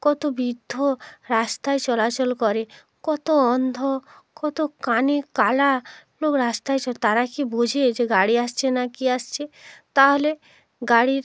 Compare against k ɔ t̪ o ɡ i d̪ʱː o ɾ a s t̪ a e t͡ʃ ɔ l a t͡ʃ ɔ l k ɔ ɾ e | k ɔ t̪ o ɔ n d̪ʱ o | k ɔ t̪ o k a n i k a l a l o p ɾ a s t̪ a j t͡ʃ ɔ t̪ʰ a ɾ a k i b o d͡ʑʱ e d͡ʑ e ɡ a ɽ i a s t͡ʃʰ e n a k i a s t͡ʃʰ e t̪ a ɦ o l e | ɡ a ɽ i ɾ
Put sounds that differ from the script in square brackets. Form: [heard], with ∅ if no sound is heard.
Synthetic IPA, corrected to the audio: k ɔ t̪ o [b] i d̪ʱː o ɾ a s t̪ a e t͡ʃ ɔ l a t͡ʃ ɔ l k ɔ ɾ e | k ɔ t̪ o ɔ n d̪ʱ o | k ɔ t̪ o k a n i k a l a l o [k] ɾ a s t̪ a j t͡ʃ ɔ [t̪] a ɾ a k i b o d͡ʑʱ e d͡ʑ e ɡ a ɽ i a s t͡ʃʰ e n a k i a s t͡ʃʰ e t̪ a ɦ o l e | ɡ a ɽ i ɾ